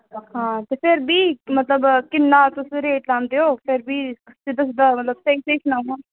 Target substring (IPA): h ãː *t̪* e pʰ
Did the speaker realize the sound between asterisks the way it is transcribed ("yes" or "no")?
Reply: yes